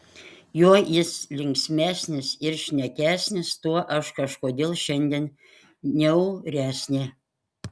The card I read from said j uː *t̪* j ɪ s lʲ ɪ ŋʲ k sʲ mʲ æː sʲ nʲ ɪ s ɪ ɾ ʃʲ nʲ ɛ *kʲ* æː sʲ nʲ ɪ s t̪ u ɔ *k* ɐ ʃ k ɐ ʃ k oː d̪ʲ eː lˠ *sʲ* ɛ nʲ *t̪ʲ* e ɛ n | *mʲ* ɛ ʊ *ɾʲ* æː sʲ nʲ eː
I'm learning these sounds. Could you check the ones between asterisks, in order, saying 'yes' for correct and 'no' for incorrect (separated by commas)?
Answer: no, yes, no, no, no, no, yes